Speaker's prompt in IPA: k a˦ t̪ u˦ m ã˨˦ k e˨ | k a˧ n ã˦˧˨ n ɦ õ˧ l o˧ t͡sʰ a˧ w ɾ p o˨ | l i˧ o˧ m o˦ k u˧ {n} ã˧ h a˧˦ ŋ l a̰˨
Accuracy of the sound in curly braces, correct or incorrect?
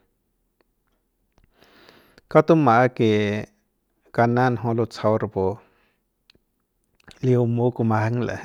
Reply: incorrect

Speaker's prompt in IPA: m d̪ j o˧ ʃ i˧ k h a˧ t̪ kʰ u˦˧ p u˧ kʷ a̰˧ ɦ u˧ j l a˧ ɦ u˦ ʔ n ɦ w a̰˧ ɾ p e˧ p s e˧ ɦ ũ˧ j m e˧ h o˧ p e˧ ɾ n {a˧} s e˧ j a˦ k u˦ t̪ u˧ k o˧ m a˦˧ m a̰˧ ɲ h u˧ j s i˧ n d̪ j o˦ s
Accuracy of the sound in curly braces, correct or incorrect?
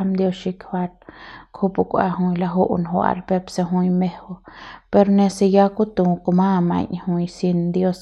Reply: incorrect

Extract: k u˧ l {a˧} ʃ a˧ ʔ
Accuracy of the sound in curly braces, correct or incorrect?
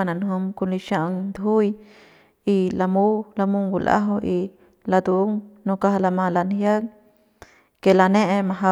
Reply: incorrect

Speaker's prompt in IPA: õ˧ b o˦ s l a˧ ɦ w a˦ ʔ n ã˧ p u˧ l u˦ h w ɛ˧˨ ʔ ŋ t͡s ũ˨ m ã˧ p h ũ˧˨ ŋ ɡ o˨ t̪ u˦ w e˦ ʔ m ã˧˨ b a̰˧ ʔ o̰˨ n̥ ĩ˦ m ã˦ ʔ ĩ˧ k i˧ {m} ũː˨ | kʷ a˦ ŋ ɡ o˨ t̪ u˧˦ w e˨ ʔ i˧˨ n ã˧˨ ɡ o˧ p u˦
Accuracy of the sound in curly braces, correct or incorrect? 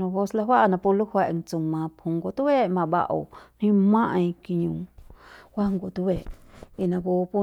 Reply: incorrect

